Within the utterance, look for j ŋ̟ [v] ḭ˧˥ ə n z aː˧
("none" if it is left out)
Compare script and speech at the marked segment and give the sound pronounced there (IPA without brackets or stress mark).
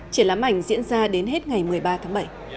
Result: z